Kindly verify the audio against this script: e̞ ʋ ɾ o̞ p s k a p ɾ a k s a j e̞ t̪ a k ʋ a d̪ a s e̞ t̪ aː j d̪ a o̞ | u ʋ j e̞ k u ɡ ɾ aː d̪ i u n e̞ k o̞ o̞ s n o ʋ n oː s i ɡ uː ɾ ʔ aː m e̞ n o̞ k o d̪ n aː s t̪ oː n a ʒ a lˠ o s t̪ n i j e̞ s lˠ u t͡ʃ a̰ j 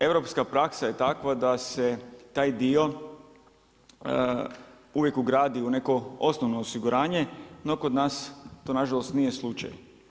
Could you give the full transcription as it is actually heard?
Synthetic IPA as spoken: e̞ ʋ ɾ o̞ p s k a p ɾ a k s a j e̞ t̪ a k ʋ a d̪ a s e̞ t̪ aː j d̪ i o̞ | u ʋ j e̞ k u ɡ ɾ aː d̪ i u n e̞ k o̞ o̞ s n o ʋ n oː s i ɡ u ɾ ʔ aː ɲ e̞ n o̞ k o d̪ n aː s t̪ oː n a ʒ a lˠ o s t̪ n i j e̞ s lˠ u t͡ʃ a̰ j